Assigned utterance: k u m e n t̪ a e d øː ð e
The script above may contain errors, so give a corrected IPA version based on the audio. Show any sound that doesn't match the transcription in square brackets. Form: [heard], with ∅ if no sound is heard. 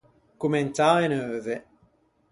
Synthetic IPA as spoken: k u m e n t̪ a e [n] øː ð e